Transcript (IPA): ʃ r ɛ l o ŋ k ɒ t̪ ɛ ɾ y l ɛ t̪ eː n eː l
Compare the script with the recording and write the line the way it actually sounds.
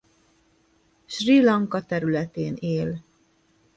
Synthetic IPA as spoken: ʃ r i l ɒ ŋ k ɒ t̪ ɛ ɾ y l ɛ t̪ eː n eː l